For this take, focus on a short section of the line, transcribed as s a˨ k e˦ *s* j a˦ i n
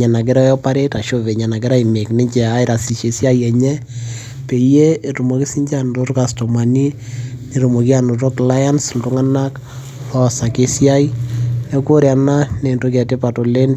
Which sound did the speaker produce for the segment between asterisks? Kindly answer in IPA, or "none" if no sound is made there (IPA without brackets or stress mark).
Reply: s